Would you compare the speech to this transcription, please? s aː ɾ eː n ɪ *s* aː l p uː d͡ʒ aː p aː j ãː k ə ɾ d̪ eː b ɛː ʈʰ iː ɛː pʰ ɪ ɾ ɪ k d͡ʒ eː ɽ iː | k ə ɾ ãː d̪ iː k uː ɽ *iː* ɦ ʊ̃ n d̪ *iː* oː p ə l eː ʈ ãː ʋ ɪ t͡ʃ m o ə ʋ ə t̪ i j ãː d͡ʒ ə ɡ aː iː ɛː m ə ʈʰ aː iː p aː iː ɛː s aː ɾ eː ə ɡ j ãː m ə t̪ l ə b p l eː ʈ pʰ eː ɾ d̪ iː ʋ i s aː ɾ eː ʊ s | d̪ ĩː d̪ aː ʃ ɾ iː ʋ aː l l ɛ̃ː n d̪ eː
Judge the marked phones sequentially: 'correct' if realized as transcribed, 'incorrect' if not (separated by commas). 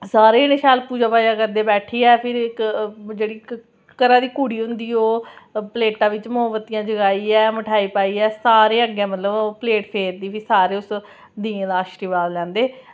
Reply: incorrect, correct, correct